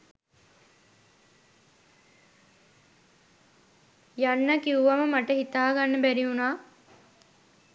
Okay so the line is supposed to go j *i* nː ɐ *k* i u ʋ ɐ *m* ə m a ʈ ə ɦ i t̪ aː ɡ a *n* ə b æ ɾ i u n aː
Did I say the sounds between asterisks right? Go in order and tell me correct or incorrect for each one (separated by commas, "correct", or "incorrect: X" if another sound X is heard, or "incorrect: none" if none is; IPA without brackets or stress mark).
incorrect: a, correct, correct, incorrect: nː